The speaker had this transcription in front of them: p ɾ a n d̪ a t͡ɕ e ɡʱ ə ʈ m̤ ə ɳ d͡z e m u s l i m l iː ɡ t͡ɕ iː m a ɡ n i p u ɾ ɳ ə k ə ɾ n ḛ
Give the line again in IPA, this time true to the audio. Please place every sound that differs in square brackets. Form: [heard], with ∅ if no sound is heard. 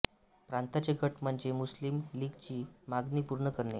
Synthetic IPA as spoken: p ɾ a n [t̪] a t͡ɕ e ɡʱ ə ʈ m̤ ə ɳ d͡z e m u s l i m l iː ɡ t͡ɕ iː m a ɡ n i p u ɾ ɳ ə k ə ɾ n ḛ